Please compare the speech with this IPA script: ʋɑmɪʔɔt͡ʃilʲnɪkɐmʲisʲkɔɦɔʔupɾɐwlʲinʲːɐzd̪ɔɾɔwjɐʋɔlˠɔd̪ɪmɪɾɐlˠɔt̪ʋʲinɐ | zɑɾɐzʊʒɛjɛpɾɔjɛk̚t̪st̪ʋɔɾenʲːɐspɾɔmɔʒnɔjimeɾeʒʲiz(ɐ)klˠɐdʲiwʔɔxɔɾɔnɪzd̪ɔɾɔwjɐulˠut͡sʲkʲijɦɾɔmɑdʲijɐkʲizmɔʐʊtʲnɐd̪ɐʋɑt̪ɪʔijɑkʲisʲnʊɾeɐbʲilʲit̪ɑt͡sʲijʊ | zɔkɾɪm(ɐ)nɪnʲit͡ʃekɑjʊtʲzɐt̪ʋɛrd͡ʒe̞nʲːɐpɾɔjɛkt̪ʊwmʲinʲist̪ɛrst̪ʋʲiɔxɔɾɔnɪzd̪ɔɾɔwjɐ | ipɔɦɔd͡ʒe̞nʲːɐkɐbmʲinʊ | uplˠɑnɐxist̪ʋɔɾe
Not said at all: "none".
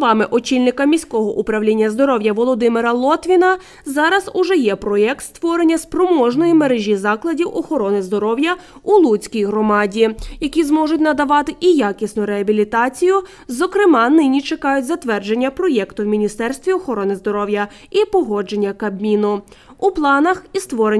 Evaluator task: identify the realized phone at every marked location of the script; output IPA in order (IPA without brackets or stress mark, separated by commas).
ɑ, ɑ